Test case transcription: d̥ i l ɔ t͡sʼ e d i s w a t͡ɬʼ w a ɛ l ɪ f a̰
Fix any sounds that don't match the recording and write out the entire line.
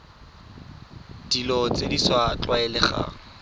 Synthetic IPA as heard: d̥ i l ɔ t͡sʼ e d i s w a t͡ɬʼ w a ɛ l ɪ χ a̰